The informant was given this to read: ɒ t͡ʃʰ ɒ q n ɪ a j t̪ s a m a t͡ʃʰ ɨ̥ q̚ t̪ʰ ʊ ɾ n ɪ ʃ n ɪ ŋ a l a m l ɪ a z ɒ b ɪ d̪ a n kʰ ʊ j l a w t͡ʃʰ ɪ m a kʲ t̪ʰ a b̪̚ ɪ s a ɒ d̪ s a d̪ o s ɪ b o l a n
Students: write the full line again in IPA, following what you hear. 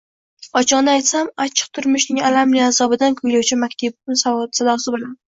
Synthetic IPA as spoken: ɒ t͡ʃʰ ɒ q n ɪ a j t̪ s a m a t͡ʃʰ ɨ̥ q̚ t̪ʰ ʊ ɾ m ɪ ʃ n ɪ ŋ a l a m l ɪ a z ɒ b ɪ d̪ a n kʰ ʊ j l a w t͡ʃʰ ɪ m a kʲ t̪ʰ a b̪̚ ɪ s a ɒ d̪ s a d̪ ɒ s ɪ b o l a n